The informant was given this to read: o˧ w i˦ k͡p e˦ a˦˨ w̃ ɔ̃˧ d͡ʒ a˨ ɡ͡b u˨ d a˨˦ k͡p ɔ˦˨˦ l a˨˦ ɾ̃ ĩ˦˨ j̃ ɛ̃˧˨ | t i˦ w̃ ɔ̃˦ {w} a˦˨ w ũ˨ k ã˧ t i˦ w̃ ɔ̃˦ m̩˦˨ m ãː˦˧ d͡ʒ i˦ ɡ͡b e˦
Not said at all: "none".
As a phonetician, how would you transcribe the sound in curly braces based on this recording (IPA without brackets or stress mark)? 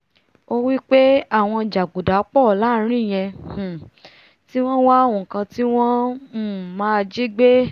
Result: w